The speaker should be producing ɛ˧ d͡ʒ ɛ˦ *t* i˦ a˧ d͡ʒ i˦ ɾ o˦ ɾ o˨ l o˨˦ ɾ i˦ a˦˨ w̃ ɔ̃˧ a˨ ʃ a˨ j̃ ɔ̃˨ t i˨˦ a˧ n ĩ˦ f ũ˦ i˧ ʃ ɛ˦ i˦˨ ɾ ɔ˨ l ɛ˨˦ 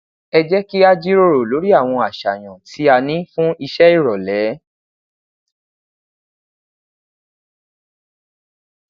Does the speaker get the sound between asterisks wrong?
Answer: yes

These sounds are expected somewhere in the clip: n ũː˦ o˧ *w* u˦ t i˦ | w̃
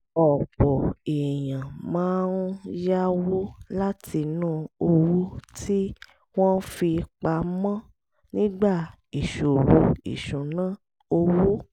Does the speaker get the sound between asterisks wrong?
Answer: no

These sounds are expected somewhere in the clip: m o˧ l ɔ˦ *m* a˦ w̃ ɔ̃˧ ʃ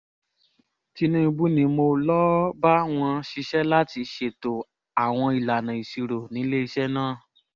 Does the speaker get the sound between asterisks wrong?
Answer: yes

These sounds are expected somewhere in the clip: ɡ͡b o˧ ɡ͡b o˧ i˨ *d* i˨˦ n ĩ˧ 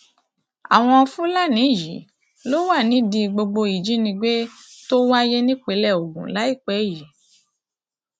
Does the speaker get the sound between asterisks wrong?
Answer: yes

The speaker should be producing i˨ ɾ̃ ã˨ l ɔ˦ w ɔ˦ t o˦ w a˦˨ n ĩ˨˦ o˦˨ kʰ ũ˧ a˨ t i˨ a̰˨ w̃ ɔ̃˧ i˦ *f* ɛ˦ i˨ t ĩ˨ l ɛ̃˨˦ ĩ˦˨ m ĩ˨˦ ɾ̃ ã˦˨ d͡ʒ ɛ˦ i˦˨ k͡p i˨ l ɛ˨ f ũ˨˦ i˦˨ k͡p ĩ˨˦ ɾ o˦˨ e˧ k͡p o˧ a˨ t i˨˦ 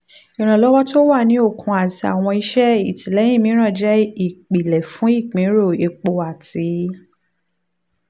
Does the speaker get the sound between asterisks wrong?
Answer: yes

